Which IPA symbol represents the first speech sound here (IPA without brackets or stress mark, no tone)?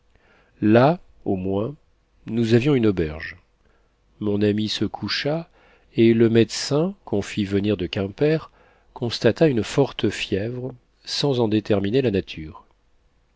l